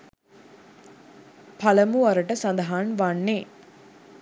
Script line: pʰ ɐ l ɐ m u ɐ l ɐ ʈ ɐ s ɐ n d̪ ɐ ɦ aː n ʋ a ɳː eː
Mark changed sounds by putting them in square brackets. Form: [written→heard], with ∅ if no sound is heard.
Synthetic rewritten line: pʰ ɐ l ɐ m u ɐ [l→ɾ] ɐ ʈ ɐ s ɐ n d̪ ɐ ɦ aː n ʋ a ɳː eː